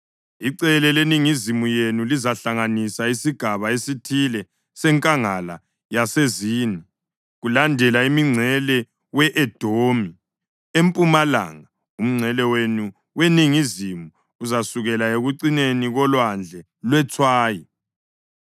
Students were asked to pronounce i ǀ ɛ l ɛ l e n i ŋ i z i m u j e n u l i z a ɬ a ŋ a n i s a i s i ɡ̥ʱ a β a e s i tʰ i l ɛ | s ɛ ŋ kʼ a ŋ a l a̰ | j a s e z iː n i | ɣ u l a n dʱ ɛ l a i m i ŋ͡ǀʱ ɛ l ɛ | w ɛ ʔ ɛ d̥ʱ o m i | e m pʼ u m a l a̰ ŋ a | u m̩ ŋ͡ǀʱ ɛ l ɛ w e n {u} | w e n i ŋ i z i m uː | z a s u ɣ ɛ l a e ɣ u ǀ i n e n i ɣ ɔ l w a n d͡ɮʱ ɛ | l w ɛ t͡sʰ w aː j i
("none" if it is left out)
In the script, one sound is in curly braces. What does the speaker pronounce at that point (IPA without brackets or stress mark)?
u